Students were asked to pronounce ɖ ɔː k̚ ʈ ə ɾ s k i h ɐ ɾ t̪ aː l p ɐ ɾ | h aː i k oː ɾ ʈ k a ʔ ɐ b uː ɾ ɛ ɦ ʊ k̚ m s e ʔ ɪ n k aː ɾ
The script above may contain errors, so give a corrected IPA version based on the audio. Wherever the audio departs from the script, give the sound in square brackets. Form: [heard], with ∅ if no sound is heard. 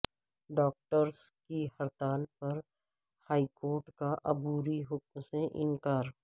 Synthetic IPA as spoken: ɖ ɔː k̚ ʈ ə ɾ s k i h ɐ ɾ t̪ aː l p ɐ ɾ | h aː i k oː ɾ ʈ k a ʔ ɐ b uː ɾ [i] ɦ ʊ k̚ m s e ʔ ɪ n k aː ɾ